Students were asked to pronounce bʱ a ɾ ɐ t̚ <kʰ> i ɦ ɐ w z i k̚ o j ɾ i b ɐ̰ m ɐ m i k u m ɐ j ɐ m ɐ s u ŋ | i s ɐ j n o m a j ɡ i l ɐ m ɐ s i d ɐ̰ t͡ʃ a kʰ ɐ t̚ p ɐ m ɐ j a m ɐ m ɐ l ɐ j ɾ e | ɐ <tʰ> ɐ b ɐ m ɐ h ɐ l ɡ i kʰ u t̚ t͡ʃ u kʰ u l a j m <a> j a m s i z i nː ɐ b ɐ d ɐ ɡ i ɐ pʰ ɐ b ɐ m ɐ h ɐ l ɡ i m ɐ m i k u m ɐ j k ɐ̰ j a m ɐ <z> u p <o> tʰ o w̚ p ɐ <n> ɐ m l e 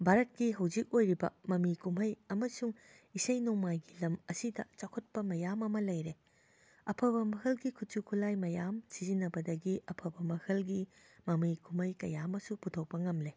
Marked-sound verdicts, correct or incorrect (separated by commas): incorrect, incorrect, incorrect, incorrect, incorrect, incorrect